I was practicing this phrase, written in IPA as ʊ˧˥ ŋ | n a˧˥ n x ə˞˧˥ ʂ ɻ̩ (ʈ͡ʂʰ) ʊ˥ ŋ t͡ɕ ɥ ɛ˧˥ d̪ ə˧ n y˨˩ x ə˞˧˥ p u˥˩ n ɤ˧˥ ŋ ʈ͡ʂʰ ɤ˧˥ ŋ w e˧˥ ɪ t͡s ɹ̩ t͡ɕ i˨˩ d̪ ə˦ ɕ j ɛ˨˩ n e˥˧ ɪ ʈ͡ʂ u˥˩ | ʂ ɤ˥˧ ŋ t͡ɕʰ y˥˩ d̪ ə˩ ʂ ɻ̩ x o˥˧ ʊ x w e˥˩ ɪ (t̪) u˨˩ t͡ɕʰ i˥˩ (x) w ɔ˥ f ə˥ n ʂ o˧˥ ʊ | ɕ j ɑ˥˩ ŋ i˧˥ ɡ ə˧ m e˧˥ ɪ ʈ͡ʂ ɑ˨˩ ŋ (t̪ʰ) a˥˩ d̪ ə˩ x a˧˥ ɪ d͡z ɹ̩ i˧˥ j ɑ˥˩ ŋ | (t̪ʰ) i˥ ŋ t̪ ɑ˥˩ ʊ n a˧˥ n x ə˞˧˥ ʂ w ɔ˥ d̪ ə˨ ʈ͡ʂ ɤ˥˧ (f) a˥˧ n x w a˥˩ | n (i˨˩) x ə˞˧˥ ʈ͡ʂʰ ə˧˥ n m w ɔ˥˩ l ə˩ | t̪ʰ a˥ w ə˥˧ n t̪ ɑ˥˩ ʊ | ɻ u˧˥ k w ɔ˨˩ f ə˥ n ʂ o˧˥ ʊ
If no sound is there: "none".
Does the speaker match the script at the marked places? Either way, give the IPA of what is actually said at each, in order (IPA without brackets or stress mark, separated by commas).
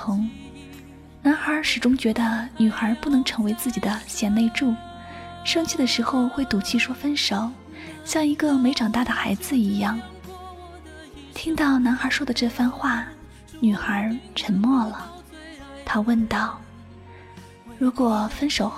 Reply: ʈ͡ʂ, t̪, ʂ, t̪, t̪ʰ, f, y˨˩